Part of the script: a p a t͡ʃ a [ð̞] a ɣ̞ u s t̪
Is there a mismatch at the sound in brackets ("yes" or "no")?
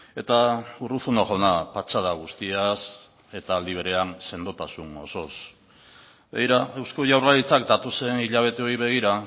no